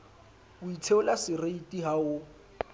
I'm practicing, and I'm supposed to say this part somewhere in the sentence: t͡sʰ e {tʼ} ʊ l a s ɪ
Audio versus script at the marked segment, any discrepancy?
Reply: yes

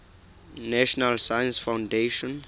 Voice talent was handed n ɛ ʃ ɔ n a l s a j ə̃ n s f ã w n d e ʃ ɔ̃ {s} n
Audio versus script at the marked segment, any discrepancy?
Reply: yes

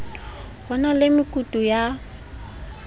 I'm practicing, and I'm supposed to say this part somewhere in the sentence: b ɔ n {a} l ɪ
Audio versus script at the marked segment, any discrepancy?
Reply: no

